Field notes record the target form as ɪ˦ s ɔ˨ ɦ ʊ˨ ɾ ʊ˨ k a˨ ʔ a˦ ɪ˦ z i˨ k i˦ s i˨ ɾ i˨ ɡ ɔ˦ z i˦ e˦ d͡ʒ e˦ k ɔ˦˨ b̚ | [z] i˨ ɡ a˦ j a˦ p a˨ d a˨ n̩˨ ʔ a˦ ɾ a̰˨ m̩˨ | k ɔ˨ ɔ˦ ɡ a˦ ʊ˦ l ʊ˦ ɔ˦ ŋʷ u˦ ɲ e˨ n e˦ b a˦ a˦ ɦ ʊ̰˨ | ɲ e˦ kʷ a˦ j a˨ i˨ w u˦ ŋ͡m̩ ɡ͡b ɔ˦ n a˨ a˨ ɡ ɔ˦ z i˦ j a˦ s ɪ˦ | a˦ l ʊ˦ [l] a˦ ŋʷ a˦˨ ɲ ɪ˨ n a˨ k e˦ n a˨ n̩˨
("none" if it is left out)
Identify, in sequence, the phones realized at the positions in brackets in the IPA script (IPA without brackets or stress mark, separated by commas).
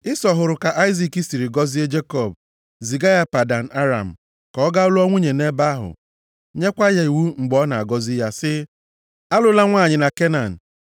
z, l